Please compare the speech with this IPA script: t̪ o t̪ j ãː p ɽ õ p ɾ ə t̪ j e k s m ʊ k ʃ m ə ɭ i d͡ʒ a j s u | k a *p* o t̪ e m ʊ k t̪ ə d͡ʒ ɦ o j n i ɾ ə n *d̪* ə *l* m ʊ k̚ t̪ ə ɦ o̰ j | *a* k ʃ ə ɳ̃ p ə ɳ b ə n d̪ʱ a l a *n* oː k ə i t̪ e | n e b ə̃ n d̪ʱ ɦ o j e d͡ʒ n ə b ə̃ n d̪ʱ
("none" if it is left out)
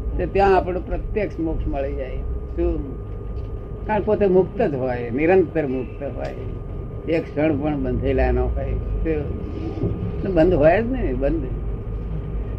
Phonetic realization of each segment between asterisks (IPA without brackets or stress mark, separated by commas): p, t̪, ɾ, e, n